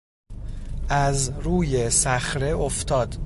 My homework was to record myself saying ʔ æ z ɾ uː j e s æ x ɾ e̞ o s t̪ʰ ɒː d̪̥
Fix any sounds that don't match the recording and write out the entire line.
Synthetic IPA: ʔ æ z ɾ uː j e s æ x ɾ e̞ o f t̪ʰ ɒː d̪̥